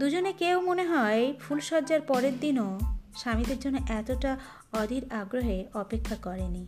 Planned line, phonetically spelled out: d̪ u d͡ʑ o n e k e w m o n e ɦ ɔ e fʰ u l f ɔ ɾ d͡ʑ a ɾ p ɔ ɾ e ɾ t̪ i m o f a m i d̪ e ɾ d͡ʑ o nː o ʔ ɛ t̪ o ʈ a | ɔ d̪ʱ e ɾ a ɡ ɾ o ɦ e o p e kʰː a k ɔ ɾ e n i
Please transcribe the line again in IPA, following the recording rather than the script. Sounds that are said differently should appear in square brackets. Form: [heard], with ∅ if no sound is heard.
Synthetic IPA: d̪ u d͡ʑ o n e k e w m o n e ɦ ɔ e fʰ u l [ʃ] ɔ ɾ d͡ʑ a ɾ p ɔ ɾ e ɾ [d̪] i [n] o [ʃ] a m i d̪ e ɾ d͡ʑ o nː o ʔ ɛ t̪ o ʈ a | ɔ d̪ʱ [i] ɾ a ɡ ɾ o ɦ e [ɔ] p e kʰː a k ɔ ɾ e n i